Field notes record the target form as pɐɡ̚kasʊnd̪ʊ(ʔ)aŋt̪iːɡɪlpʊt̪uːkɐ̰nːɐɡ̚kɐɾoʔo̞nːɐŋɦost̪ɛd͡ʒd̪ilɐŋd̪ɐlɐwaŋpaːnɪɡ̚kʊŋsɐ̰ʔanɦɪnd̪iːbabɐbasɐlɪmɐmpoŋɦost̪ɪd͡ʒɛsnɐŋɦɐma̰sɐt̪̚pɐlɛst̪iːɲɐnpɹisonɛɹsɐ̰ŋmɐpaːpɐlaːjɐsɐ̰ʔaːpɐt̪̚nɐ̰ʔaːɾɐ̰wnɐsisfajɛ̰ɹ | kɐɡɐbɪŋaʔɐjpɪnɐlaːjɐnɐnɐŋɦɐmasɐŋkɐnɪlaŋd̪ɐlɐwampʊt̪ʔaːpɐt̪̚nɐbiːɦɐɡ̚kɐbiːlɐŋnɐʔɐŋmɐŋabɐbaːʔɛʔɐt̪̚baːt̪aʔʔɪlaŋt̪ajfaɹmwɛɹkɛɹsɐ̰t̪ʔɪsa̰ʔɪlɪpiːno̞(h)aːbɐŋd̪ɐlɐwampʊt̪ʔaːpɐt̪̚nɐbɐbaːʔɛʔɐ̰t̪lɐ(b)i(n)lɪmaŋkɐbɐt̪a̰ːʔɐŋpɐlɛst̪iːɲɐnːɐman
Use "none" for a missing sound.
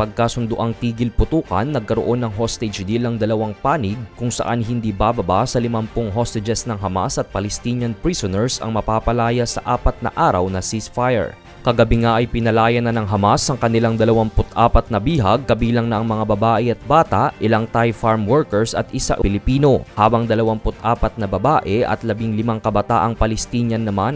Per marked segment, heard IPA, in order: ʔ, h, b, ŋ

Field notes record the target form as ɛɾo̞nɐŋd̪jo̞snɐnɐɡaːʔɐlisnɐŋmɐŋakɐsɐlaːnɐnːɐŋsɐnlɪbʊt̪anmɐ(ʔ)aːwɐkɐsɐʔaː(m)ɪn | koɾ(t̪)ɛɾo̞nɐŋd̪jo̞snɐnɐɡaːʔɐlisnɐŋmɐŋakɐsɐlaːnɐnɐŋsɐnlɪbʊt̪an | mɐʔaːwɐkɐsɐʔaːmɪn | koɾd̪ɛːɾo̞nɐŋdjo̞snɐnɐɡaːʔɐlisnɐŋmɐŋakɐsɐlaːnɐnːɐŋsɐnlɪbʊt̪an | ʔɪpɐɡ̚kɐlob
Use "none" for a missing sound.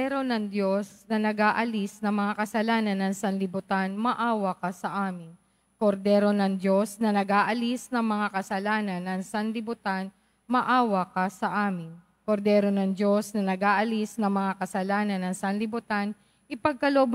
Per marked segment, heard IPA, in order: ʔ, m, d̪

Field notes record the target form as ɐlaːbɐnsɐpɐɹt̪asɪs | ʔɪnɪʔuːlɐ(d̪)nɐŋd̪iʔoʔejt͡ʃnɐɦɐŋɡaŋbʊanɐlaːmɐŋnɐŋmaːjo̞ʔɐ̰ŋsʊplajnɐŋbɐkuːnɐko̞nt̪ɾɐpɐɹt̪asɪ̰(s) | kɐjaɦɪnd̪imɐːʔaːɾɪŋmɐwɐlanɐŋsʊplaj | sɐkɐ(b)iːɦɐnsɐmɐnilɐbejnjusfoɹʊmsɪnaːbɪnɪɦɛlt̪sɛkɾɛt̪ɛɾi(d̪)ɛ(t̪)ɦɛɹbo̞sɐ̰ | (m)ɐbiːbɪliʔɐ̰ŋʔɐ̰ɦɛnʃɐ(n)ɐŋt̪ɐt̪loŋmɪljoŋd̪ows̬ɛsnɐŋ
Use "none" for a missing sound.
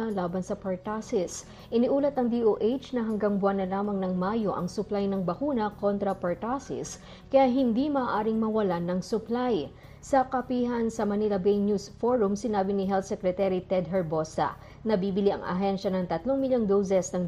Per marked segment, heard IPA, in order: t̪, s, p, t̪, d̪, n, n

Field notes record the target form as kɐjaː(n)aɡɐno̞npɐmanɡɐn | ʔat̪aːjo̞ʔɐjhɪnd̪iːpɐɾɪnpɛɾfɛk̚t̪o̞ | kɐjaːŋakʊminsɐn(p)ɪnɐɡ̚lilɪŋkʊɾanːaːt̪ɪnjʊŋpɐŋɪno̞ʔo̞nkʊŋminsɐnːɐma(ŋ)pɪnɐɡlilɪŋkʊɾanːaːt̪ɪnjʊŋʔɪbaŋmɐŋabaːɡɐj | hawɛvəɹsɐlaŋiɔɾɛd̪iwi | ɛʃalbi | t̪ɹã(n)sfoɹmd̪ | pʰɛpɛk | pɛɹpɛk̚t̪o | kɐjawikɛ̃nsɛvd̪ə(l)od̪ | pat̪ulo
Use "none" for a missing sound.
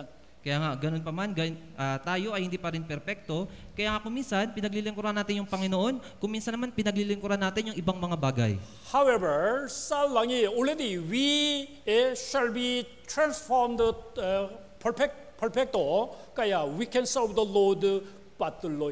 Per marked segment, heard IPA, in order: ŋ, p, n, n, l

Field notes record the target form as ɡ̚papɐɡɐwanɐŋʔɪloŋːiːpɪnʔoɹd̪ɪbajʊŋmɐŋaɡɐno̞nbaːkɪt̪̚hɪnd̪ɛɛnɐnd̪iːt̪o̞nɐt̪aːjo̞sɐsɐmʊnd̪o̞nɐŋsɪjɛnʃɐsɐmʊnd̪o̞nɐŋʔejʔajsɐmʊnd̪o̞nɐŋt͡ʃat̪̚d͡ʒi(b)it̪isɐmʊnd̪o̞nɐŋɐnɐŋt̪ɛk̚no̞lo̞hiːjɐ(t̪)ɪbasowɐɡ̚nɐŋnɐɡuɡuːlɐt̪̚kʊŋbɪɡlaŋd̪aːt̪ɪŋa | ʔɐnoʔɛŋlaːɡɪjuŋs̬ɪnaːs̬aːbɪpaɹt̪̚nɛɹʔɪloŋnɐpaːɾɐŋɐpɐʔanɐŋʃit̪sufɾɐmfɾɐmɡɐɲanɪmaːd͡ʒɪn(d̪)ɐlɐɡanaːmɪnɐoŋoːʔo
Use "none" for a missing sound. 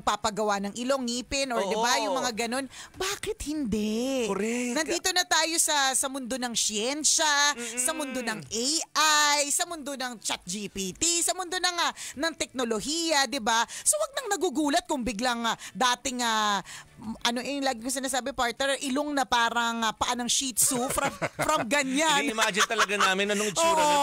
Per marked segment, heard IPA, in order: p, d̪, t̪

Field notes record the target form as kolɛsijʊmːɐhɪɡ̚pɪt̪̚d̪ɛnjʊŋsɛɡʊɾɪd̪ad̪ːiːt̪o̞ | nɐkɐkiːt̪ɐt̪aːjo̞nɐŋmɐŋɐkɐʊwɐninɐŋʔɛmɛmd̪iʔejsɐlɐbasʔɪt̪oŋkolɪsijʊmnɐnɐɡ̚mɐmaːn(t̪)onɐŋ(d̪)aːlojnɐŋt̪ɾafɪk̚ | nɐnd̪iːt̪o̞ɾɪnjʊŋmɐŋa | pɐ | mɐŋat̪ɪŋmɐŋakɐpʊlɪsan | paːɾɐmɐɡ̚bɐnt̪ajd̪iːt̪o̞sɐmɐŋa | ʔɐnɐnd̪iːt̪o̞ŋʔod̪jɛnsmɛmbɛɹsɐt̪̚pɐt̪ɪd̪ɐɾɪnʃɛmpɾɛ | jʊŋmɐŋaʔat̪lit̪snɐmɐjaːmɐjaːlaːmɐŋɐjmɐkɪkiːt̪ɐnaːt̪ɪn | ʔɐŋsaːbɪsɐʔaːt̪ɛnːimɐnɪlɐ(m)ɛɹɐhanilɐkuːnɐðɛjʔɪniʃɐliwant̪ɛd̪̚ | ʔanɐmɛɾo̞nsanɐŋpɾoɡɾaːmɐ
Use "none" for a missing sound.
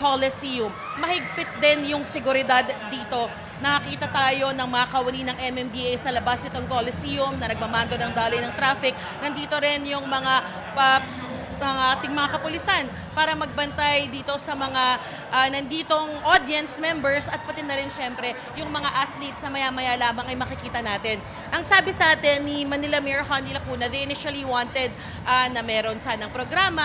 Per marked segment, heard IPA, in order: d̪, d̪, m

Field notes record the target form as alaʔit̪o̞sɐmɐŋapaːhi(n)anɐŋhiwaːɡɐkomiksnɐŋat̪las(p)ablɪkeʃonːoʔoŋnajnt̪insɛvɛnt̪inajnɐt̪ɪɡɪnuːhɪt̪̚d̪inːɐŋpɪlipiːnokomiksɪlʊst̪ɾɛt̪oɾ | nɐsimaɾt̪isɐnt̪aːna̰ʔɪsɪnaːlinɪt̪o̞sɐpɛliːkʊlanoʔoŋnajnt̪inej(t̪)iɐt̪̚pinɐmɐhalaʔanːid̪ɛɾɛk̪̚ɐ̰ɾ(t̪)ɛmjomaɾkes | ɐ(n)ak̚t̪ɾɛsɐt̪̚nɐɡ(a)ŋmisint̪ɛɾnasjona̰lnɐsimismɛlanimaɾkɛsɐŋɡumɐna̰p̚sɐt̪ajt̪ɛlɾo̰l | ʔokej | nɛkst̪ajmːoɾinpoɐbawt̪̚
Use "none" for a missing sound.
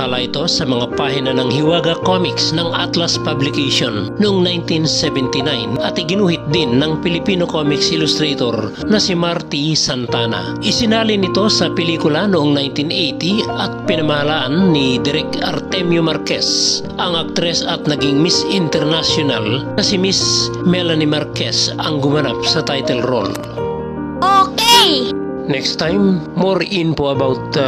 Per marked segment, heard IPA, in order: n, p, t̪, t̪, ŋ, i

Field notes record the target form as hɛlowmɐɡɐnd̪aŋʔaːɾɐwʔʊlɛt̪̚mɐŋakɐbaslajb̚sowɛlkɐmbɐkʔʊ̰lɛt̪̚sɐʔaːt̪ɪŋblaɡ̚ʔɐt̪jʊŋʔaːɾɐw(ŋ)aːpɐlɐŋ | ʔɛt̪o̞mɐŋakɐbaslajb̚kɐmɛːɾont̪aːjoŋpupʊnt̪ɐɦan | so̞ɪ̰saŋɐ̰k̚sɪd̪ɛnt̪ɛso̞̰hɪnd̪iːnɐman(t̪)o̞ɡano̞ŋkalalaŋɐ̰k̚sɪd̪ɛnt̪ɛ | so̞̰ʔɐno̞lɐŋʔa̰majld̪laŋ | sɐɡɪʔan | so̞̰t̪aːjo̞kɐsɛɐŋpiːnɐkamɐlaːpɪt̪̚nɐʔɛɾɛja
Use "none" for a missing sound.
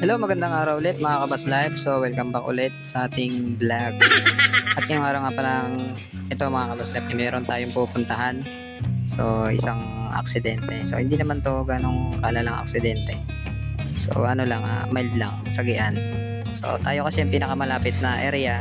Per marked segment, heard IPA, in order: ŋ, t̪

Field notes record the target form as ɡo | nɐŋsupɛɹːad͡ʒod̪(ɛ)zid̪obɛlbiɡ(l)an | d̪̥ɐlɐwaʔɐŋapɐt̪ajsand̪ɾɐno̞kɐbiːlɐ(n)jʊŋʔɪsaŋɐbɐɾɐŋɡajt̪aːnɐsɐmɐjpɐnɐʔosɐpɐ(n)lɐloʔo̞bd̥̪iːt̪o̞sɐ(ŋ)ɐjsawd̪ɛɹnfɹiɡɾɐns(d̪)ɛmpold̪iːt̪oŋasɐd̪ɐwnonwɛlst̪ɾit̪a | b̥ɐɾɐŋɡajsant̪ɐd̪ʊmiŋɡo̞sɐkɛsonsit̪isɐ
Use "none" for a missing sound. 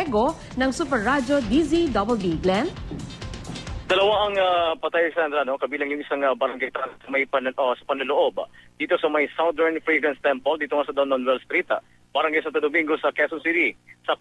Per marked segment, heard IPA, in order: i, l, ŋ, n, m, t̪

